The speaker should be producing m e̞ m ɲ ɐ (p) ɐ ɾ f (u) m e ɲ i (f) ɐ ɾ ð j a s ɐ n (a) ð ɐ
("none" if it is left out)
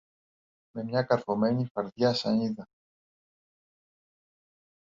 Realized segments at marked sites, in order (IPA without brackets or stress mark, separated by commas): k, o, f, i